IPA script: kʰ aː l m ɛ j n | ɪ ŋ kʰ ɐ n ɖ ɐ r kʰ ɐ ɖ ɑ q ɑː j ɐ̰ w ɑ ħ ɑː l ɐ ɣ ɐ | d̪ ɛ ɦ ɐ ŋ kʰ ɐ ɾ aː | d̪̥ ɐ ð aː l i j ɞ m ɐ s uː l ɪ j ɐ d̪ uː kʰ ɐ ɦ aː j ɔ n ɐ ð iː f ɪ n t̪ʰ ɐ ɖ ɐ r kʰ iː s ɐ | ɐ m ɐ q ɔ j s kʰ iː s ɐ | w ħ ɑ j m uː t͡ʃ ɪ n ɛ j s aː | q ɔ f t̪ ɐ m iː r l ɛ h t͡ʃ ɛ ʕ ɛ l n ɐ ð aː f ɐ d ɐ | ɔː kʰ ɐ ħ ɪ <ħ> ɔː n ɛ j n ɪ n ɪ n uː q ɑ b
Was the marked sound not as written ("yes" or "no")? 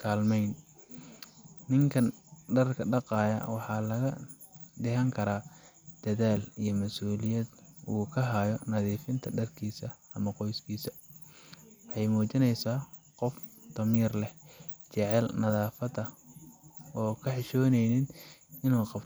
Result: yes